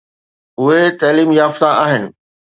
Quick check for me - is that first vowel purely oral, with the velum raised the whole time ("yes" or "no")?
yes